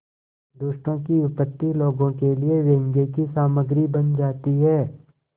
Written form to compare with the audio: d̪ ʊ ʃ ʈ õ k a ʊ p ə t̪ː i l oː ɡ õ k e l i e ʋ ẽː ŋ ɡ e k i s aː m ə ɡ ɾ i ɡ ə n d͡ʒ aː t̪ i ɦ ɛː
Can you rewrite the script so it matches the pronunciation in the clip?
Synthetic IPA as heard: d̪ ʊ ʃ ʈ õ k i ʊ p ə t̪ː i l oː ɡ õ k e l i e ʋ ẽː ŋ ɡ e k i s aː m ə ɡ ɾ i b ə n d͡ʒ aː t̪ i ɦ ɛː